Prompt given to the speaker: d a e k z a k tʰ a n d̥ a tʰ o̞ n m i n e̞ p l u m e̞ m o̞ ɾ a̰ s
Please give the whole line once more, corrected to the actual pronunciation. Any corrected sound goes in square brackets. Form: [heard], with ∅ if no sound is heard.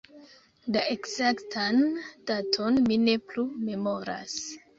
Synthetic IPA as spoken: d a e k z a k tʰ a n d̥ a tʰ o̞ n m i n e̞ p l u m e̞ m o̞ ɾ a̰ s